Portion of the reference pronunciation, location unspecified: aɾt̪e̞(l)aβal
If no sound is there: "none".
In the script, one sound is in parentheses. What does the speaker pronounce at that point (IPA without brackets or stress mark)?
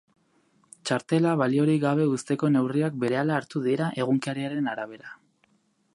l